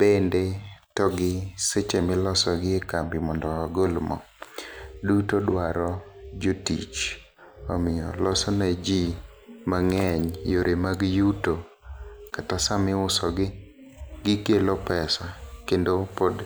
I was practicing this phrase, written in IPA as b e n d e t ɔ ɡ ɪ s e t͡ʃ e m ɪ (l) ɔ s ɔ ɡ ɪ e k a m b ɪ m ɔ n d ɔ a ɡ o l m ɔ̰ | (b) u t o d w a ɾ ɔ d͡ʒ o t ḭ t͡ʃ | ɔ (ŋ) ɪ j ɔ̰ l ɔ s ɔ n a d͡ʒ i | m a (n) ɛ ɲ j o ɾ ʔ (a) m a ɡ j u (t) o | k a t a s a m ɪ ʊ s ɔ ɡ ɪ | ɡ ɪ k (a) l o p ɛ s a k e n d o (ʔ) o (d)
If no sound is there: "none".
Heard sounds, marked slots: l, d, m, ŋ, e, t, e, p, d

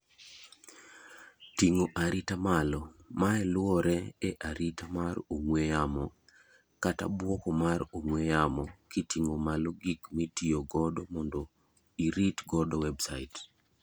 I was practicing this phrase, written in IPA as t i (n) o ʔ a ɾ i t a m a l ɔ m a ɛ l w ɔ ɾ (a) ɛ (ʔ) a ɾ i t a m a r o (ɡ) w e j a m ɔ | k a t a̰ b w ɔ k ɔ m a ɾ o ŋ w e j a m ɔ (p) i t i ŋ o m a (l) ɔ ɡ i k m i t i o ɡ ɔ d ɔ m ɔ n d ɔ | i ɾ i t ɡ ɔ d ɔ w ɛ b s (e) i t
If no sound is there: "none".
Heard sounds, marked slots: ŋ, ɛ, ʔ, ŋ, k, l, a

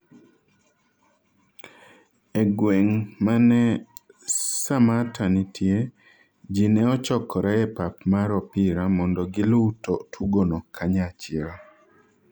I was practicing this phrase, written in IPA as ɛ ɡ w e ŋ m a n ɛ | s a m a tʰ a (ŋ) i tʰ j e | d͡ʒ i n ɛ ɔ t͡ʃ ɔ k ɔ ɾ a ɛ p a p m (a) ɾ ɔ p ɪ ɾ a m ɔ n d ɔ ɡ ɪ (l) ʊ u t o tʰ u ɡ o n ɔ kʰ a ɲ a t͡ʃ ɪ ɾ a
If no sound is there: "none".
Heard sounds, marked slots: n, a, l

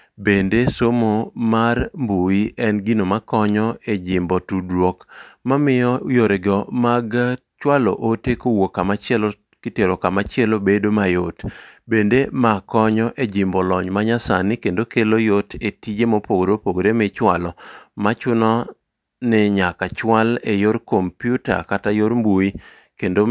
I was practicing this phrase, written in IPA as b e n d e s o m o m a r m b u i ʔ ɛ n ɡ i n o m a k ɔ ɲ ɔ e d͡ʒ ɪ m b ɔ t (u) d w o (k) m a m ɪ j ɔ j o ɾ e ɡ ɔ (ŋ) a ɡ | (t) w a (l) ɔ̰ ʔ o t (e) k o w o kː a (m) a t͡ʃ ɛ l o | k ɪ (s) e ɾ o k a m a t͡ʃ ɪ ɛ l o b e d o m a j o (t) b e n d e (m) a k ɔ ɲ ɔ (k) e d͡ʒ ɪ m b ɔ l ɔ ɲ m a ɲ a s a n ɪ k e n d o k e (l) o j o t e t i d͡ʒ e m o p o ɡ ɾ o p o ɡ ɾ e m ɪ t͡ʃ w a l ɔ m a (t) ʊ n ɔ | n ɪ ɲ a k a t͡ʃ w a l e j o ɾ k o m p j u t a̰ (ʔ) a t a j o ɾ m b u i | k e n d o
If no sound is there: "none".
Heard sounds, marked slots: u, k, m, t͡ʃ, l, e, m, t, t, m, ʔ, l, t͡ʃ, k

